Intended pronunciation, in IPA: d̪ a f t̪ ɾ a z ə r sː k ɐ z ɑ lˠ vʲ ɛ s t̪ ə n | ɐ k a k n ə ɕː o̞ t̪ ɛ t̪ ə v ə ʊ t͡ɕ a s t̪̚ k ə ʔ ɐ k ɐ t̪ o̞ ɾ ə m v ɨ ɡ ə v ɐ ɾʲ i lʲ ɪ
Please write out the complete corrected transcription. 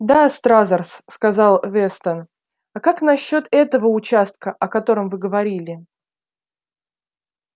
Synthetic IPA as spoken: d̪ a s t̪ ɾ a z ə r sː k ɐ z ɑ lˠ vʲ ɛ s t̪ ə n | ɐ k a k n ɐ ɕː o̞ t̪ ɛ t̪ ə v ə ʊ t͡ɕ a s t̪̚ k ə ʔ ɐ k ɐ t̪ o̞ ɾ ə m v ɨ ɡ ə v ɐ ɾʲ i lʲ ɪ